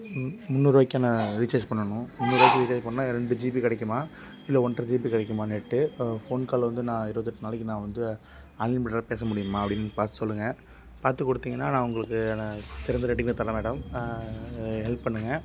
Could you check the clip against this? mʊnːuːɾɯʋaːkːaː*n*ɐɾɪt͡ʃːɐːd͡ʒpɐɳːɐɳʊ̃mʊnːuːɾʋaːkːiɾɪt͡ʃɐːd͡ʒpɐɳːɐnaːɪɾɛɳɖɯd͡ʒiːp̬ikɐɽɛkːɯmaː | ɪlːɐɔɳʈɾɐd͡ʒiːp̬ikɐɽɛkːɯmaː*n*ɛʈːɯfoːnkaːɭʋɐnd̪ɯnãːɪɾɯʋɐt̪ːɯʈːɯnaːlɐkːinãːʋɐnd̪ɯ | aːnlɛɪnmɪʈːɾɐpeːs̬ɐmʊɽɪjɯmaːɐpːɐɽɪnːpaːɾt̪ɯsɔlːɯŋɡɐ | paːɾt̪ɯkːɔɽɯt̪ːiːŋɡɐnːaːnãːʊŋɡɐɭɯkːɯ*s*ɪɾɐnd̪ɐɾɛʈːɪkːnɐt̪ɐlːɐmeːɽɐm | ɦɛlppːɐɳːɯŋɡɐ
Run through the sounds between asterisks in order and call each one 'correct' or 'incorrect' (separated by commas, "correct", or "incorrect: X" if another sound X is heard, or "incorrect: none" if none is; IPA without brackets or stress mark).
correct, correct, correct